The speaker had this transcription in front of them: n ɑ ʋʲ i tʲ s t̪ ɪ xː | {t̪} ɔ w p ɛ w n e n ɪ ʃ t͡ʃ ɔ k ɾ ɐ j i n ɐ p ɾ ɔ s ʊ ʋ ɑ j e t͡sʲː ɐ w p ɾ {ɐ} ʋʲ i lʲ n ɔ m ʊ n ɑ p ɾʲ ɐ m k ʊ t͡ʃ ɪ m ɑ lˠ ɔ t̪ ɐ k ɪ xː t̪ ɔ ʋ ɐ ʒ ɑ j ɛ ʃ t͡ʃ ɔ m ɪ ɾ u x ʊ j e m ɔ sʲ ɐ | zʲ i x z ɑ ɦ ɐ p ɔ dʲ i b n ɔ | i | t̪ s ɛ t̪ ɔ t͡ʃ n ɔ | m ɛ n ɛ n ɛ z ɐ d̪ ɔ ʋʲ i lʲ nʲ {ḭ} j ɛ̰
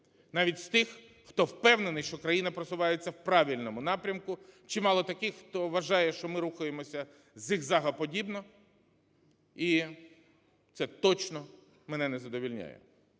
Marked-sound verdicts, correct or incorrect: correct, incorrect, incorrect

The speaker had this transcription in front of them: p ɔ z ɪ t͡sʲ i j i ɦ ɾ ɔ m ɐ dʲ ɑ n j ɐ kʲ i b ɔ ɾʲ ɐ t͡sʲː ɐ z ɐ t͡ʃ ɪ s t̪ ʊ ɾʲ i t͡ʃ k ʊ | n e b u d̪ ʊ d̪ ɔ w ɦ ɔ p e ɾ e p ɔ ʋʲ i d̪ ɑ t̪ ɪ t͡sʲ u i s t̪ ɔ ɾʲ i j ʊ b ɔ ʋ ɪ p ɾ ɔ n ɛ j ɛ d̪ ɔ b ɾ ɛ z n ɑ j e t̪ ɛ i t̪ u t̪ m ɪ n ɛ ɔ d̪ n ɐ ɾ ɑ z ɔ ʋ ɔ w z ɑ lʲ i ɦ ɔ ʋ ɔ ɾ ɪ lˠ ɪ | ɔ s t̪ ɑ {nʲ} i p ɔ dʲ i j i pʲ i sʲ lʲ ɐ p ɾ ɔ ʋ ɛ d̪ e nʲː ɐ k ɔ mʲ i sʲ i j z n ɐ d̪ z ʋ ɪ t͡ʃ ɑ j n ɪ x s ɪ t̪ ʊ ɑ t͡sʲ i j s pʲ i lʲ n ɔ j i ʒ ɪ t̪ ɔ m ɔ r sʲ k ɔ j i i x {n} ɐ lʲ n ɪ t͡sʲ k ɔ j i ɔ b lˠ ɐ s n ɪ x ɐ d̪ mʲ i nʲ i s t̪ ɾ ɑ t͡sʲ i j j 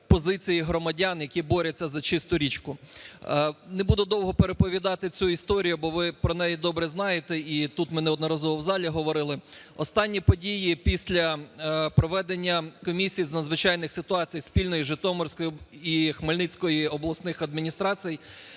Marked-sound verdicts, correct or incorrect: incorrect, incorrect

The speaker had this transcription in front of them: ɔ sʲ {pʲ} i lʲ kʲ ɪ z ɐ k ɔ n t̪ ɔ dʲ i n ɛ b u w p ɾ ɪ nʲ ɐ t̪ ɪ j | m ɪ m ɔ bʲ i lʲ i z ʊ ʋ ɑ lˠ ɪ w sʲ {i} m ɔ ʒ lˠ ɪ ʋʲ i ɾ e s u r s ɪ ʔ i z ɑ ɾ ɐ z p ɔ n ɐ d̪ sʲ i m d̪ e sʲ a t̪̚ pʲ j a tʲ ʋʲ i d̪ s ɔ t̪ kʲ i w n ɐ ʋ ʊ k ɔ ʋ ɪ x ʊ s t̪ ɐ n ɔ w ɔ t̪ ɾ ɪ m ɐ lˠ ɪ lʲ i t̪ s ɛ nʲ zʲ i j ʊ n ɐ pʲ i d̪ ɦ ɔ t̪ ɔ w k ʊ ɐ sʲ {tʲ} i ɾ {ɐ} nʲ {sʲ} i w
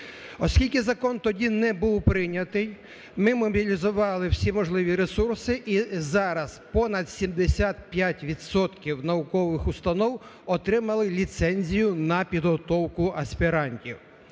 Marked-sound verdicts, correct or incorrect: incorrect, correct, incorrect, incorrect, incorrect

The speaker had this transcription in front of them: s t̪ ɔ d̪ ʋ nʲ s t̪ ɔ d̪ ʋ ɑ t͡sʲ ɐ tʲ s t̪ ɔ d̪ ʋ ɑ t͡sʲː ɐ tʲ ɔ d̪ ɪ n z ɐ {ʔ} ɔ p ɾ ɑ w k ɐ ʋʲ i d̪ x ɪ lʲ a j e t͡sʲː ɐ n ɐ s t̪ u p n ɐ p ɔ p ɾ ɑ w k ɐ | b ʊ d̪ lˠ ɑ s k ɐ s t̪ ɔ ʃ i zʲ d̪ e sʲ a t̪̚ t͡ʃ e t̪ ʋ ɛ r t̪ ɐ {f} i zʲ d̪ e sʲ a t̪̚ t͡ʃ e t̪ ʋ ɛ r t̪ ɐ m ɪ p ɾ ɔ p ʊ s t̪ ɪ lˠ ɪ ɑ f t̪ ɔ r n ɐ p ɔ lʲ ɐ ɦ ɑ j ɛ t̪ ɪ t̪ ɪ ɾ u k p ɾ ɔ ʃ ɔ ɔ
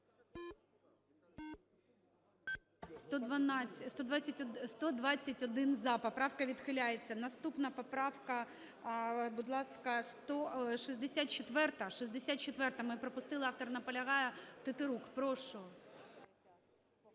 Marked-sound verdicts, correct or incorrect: incorrect, incorrect

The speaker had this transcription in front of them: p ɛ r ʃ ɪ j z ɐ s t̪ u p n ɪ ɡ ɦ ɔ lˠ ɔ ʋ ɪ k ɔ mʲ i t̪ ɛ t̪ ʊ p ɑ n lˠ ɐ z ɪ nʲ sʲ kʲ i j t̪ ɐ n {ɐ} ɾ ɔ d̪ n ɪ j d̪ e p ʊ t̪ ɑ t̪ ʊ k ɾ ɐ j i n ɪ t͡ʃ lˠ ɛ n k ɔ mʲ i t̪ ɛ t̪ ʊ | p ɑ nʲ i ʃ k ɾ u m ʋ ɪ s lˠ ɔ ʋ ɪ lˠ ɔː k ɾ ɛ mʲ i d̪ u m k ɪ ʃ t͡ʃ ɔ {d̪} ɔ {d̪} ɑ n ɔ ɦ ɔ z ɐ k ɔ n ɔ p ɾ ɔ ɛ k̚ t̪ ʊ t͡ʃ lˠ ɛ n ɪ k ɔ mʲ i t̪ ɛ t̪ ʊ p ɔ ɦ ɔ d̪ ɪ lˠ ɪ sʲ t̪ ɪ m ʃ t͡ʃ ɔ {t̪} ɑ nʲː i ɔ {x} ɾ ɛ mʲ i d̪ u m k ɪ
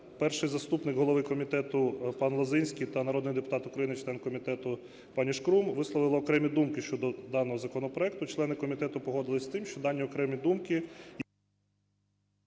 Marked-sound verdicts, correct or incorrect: correct, correct, correct, incorrect, incorrect

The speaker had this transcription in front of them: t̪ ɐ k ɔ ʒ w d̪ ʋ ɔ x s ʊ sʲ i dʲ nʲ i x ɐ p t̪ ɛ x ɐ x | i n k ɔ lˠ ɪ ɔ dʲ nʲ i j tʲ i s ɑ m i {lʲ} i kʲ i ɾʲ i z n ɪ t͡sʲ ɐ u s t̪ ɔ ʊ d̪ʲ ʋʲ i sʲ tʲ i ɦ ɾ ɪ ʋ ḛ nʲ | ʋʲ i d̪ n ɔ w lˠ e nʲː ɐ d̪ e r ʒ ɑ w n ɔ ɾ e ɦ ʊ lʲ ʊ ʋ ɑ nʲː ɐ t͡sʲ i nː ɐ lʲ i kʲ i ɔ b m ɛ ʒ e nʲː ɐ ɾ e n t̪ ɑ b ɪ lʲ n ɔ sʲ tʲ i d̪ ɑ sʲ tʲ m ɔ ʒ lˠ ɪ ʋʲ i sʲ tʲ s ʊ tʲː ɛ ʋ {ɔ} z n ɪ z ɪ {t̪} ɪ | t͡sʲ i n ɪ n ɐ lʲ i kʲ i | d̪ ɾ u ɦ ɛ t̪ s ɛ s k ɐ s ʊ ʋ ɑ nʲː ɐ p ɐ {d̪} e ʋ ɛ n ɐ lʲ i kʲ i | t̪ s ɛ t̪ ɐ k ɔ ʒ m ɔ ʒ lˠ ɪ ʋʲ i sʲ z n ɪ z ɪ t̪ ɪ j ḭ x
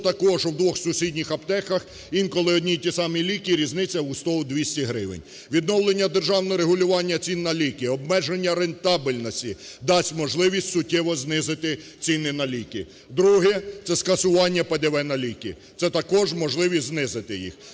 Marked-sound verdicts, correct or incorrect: correct, correct, correct, correct

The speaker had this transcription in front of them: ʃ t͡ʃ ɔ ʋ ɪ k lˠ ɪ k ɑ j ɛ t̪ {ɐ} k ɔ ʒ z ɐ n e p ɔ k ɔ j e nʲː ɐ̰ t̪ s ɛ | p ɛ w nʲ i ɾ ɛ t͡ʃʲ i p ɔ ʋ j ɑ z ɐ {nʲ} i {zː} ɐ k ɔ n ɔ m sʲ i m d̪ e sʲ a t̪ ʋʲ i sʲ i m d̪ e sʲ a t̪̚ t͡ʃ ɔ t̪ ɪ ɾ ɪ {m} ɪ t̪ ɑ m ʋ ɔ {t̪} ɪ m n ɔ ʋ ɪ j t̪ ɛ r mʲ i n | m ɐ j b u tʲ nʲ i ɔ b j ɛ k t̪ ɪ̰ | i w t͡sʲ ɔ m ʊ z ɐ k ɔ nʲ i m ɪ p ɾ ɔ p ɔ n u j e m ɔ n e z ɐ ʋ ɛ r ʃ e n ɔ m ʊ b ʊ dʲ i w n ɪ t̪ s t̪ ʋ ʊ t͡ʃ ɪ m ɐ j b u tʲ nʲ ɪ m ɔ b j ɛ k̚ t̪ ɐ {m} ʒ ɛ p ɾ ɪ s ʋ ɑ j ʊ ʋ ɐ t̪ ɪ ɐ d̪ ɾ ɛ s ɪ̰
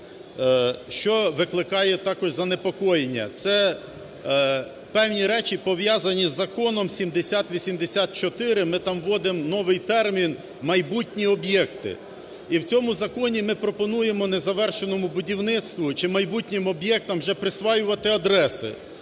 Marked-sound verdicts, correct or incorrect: incorrect, correct, correct, correct, incorrect, correct

